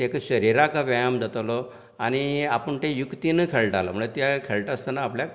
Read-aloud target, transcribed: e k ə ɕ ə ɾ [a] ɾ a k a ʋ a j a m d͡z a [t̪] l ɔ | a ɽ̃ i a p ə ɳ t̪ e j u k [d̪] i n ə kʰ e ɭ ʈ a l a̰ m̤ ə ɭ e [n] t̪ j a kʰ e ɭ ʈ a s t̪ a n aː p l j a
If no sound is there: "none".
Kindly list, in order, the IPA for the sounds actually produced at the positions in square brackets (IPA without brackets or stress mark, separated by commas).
i, t̪, t̪, none